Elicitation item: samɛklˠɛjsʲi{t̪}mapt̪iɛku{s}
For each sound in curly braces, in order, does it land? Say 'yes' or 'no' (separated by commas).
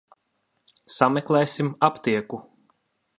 no, no